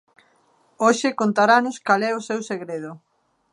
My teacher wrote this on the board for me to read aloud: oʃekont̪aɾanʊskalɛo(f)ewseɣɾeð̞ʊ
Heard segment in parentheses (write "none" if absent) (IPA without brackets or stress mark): s